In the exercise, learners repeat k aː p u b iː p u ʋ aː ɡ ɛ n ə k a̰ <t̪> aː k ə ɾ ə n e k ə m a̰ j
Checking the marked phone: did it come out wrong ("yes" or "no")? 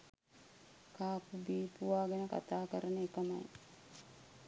no